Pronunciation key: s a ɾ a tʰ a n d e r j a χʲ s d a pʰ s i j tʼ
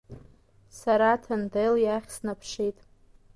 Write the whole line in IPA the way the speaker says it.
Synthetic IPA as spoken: s a ɾ a tʰ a n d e l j a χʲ s n a pʰ ʂ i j tʼ